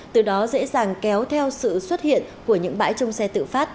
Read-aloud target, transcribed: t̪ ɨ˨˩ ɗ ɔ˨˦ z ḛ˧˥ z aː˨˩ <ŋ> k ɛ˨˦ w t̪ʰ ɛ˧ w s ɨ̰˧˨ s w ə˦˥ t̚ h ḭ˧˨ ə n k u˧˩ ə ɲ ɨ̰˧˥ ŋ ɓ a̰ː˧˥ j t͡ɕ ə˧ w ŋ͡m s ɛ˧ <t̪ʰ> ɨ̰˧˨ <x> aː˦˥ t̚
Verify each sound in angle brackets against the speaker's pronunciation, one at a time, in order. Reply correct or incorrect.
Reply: correct, incorrect, incorrect

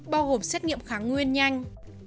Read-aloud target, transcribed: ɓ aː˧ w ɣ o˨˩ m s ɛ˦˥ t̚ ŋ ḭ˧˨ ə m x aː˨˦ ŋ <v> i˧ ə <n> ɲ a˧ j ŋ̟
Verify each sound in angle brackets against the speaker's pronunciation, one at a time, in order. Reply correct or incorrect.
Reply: incorrect, correct

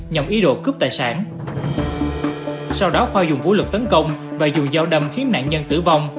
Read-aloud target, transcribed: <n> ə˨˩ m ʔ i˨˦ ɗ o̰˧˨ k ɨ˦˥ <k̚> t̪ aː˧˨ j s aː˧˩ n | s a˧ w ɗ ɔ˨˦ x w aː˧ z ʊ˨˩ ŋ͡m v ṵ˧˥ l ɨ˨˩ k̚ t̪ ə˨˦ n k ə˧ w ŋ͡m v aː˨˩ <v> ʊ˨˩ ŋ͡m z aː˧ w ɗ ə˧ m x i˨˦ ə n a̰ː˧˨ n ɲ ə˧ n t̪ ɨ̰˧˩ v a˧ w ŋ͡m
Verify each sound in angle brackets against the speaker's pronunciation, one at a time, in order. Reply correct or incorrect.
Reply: incorrect, incorrect, incorrect

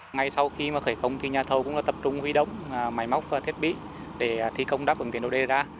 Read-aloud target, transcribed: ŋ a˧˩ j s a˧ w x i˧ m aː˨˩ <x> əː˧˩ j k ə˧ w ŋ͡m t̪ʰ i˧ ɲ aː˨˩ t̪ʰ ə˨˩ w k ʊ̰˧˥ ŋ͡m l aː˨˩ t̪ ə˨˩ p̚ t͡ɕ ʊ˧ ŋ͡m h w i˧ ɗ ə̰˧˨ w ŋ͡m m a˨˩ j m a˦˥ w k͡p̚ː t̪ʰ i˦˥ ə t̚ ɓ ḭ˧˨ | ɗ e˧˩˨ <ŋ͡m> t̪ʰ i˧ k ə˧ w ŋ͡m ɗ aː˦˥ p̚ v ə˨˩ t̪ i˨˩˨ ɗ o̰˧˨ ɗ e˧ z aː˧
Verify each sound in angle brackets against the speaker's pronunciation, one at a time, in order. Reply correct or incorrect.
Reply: correct, incorrect

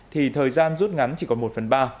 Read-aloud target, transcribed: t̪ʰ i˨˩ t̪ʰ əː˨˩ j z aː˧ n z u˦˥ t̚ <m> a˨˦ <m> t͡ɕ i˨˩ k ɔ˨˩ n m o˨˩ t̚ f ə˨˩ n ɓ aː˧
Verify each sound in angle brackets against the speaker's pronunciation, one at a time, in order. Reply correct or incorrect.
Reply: incorrect, incorrect

